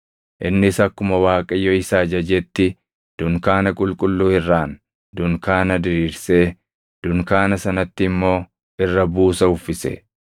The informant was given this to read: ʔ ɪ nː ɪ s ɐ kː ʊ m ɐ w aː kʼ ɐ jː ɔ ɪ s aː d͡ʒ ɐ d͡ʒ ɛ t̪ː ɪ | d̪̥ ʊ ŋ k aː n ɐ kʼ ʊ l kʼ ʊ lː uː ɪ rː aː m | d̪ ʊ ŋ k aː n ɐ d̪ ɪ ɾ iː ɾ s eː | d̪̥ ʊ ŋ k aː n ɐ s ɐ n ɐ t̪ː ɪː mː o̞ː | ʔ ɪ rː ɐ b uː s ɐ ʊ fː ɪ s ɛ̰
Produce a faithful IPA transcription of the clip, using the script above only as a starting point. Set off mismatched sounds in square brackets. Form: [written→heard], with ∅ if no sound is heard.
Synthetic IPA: ʔ ɪ nː ɪ s ɐ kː ʊ m ɐ w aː kʼ ɐ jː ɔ ɪ s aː d͡ʒ ɐ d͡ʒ ɛ t̪ː ɪ | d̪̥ ʊ ŋ k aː n ɐ kʼ ʊ l kʼ ʊ lː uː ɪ rː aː [m→n] | d̪ ʊ ŋ k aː n ɐ d̪ ɪ ɾ iː ɾ s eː | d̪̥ ʊ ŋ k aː n ɐ s ɐ n ɐ t̪ː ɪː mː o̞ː | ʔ ɪ rː ɐ b uː s ɐ ʊ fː ɪ s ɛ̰